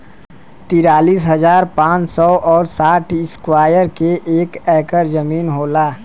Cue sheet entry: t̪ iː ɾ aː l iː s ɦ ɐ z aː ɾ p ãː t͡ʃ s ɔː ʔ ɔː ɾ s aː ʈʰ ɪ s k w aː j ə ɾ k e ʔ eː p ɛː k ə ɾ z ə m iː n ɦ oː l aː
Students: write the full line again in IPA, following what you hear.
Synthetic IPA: t̪ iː ɾ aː l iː s ɦ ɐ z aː ɾ p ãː t͡ʃ s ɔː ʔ ɔː ɾ s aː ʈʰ ɪ s k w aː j ə ɾ k e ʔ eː k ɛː k ə ɾ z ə m iː n ɦ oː l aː